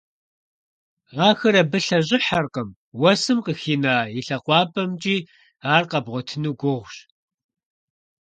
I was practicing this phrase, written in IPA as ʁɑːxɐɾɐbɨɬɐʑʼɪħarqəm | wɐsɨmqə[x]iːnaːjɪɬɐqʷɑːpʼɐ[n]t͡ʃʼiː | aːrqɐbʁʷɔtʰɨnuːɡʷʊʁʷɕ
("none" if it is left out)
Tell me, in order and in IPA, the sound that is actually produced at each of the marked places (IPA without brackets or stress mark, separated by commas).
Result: x, m